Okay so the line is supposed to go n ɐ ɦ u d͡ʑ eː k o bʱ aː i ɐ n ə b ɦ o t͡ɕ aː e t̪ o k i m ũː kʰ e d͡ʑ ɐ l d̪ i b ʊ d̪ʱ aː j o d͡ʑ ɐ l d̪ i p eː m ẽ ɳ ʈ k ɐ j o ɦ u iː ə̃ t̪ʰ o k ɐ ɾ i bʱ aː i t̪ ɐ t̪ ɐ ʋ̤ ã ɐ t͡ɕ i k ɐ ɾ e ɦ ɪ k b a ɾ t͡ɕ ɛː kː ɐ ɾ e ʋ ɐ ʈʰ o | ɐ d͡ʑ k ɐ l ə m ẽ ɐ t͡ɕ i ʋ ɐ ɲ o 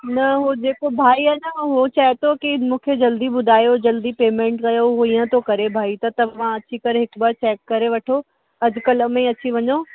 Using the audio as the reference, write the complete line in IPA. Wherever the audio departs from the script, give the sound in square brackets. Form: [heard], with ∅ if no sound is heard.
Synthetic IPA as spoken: n ɐ ɦ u d͡ʑ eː k o bʱ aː i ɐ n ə [∅] ɦ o t͡ɕ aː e t̪ o k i m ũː kʰ e d͡ʑ ɐ l d̪ i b ʊ d̪ʱ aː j o d͡ʑ ɐ l d̪ i p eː m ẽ ɳ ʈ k ɐ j o ɦ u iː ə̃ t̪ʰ o k ɐ ɾ [e] bʱ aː i t̪ ɐ t̪ ɐ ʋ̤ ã ɐ t͡ɕ i k ɐ ɾ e ɦ ɪ k b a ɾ t͡ɕ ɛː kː ɐ ɾ e ʋ ɐ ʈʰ o | ɐ d͡ʑ k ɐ l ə m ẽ ɐ t͡ɕ i ʋ ɐ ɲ o